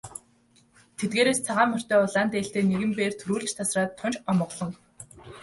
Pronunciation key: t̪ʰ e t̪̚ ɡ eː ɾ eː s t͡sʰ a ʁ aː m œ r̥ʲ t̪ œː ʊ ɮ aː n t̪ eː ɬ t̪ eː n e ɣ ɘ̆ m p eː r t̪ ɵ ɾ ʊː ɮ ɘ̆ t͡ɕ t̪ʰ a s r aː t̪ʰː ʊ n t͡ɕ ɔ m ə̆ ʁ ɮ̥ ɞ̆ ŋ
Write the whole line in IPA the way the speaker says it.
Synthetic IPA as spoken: t̪ʰ e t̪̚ ɡ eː ɾ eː s t͡sʰ a ʁ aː m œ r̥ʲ t̪ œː ʊ ɮ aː n t̪ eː ɬ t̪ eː n e ɣ ɘ̆ m p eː r t̪ʰ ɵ ɾ uː ɮ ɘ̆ t͡ɕ t̪ʰ a s r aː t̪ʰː ʊ n t͡ɕ ɔ m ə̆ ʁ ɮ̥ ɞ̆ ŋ